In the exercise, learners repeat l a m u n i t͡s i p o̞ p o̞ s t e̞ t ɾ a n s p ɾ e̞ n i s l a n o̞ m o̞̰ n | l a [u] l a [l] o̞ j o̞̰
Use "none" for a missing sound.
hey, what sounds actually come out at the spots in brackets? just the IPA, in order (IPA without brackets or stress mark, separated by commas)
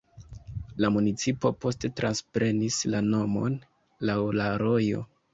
w, ɾ